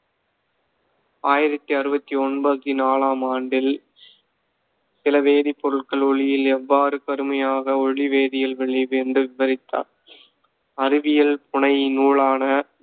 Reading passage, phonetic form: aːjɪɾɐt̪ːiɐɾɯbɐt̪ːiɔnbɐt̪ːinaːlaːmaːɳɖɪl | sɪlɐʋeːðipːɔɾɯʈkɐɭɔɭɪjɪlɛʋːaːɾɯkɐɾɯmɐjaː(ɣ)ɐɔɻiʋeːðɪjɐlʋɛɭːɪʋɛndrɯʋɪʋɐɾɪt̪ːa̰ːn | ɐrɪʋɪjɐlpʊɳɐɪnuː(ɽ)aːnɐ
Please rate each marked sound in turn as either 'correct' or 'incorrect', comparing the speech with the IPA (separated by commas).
correct, incorrect